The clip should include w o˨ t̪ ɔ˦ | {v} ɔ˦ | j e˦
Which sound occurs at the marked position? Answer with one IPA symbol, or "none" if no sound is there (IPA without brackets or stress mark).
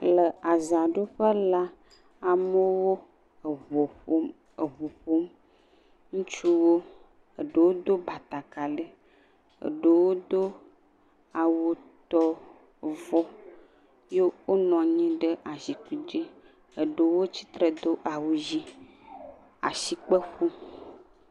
v